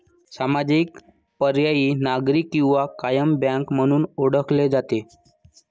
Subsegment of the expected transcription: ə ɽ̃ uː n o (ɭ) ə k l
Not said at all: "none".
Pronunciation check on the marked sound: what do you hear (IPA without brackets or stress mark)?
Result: ɽ